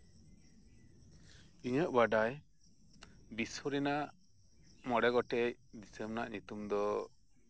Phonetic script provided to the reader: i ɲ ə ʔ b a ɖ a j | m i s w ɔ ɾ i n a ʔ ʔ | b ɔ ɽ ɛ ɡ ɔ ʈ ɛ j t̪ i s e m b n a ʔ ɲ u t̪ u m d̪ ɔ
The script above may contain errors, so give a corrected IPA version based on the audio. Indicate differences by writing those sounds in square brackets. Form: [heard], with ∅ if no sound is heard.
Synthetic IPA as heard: i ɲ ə ʔ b a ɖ a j | [b] i s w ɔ ɾ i n a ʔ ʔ | [m] ɔ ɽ ɛ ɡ ɔ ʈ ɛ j [d̪] i s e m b n a ʔ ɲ u t̪ u m d̪ ɔ